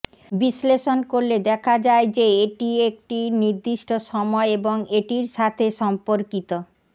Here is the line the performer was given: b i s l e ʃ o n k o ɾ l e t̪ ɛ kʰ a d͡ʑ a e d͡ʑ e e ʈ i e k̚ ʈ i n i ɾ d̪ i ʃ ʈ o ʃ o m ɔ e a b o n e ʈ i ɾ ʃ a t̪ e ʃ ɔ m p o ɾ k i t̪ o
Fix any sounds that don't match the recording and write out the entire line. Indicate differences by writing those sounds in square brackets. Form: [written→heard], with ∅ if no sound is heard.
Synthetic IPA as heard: b i s l e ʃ o n k o ɾ l e [t̪→d̪] ɛ kʰ a d͡ʑ a e d͡ʑ e e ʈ i e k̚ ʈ i n i ɾ d̪ i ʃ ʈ o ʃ [o→ɔ] m ɔ e [a→e] b o [n→ŋ] e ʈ i ɾ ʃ a [t̪→t̪ʰ] e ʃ ɔ m p o ɾ k i t̪ o